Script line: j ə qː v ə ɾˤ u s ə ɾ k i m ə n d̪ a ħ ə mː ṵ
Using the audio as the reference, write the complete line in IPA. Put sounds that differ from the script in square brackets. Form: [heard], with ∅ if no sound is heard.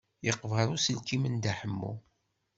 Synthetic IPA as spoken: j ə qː v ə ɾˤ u s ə [l] k i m ə n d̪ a ħ ə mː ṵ